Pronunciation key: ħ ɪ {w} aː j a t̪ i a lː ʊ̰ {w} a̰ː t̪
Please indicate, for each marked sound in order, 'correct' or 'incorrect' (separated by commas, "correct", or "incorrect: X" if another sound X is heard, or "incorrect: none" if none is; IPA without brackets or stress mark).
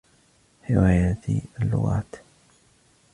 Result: correct, incorrect: ɣ